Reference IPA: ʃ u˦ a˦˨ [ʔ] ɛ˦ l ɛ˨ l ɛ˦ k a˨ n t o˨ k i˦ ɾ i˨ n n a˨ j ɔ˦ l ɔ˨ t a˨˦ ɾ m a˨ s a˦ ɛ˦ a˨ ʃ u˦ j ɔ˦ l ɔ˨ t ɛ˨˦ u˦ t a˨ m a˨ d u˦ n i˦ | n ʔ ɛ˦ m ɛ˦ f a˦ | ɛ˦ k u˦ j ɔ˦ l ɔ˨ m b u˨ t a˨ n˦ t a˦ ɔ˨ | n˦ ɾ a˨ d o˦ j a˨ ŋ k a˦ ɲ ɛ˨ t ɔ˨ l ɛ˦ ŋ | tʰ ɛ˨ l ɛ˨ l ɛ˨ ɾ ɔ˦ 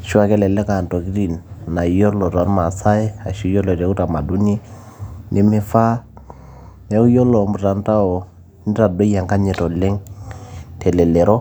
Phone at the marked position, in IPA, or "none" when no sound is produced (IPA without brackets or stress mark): k